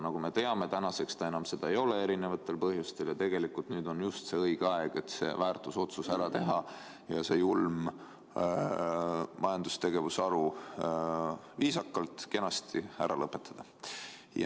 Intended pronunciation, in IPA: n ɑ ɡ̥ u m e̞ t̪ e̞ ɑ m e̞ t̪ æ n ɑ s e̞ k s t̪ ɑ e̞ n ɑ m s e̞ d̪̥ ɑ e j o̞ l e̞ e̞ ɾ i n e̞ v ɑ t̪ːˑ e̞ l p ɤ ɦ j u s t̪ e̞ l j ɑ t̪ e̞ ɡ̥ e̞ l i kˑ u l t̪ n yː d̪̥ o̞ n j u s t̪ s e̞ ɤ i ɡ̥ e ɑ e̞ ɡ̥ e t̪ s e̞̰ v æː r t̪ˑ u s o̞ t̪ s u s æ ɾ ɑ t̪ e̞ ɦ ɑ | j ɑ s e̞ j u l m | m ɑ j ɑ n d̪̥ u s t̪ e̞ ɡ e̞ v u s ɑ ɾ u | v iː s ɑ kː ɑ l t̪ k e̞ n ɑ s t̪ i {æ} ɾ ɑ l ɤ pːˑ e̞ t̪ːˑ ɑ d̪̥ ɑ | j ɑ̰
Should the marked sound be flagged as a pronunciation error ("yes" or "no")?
no